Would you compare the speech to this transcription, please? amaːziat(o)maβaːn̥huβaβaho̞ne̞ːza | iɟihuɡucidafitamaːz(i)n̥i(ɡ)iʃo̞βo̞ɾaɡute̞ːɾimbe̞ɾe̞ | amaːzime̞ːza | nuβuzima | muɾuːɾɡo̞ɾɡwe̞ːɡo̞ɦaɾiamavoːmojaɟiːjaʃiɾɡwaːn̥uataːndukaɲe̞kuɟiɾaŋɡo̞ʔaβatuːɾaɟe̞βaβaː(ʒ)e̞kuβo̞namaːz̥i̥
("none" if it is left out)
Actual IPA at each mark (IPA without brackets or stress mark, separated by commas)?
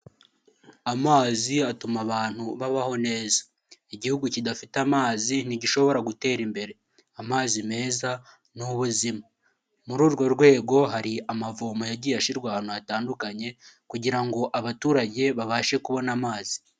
u, i, ɟ, ʃ